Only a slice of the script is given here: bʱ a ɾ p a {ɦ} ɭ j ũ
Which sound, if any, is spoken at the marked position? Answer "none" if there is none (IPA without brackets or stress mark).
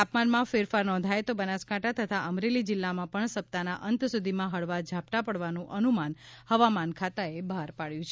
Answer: none